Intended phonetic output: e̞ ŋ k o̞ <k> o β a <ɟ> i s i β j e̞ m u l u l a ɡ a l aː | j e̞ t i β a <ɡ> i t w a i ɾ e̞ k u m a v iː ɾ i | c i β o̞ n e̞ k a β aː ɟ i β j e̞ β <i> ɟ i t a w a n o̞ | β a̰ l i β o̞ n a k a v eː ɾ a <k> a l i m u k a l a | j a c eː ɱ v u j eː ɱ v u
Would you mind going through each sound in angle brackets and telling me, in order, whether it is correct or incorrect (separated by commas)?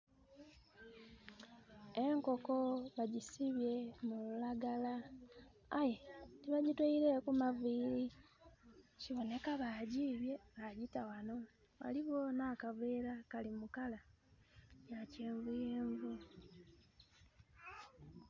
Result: correct, correct, incorrect, incorrect, correct